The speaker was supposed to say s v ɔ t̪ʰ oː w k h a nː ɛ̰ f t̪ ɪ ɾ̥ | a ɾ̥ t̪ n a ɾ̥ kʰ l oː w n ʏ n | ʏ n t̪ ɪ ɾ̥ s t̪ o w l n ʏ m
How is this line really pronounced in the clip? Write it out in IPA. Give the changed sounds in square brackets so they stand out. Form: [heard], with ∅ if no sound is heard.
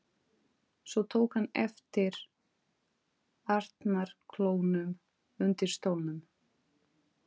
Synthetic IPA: s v ɔ t̪ʰ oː w k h a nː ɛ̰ f t̪ ɪ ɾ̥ | a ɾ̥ t̪ n a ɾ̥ kʰ l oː w n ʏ [m] | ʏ n t̪ ɪ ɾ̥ s t̪ o w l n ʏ m